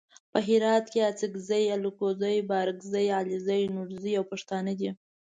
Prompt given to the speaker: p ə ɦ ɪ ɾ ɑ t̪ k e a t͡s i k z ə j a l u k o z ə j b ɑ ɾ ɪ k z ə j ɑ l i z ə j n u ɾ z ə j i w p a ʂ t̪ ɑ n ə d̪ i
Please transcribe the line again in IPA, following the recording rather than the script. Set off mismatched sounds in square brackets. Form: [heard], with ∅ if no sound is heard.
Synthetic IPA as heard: p ə ɦ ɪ ɾ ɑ t̪ k e a t͡s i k z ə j a l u k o z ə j b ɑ ɾ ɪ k z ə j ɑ l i z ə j n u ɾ z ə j [a] w p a ʂ t̪ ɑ n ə d̪ i